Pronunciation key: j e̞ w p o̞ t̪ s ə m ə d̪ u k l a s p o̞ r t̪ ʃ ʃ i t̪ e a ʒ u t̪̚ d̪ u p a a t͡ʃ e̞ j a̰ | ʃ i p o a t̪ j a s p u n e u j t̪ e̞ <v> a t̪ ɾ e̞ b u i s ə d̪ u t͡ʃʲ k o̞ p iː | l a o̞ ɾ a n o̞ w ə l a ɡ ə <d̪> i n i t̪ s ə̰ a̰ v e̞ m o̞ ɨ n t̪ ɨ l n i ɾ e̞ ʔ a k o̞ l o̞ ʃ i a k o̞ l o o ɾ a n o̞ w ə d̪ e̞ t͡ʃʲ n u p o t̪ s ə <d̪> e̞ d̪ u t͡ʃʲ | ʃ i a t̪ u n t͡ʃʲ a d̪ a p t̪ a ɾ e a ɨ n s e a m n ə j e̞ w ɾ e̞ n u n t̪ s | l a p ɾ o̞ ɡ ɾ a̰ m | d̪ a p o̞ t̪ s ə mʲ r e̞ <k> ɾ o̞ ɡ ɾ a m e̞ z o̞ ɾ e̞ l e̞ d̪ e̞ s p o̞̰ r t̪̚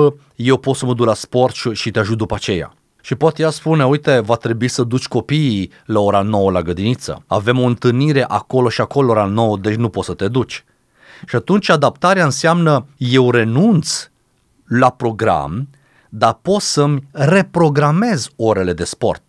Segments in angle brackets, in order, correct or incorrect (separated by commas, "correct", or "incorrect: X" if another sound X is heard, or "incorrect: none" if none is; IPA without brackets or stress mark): correct, correct, incorrect: t̪, incorrect: p